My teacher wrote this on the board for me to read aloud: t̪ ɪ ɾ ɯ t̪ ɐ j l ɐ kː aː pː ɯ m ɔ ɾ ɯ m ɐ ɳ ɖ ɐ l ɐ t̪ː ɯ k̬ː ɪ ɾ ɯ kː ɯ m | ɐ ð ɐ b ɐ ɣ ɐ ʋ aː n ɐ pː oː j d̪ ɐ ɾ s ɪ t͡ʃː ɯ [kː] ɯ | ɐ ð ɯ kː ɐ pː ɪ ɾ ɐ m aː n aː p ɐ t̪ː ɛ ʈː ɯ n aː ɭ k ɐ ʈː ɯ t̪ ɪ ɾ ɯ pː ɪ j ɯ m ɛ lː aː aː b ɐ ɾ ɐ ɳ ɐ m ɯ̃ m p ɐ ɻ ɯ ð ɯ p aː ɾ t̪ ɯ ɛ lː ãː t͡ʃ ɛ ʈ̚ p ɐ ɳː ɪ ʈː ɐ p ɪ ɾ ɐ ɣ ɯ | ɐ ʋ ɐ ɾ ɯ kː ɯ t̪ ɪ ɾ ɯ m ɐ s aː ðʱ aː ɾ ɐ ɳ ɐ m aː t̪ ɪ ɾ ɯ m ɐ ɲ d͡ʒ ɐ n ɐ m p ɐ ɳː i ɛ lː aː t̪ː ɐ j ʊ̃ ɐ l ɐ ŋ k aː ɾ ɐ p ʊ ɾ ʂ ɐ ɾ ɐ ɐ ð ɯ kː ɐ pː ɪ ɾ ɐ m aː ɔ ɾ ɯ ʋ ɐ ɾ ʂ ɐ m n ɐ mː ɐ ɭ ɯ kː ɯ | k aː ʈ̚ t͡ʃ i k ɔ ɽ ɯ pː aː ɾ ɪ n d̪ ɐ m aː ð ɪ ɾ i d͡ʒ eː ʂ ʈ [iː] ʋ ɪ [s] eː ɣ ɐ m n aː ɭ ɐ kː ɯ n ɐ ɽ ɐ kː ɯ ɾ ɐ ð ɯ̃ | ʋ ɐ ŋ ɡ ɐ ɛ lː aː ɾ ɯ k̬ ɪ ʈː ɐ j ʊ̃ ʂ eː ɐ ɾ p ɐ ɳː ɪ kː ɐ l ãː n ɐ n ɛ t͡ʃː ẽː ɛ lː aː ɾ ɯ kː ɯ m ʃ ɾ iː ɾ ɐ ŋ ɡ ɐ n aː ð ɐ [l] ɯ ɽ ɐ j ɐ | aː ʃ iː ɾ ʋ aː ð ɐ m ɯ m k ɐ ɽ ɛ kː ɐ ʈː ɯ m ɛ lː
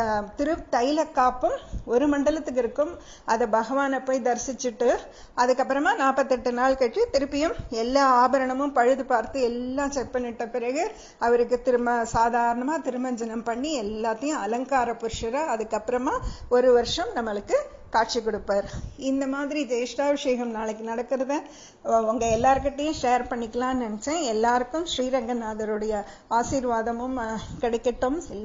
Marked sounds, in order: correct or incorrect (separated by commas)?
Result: incorrect, incorrect, incorrect, incorrect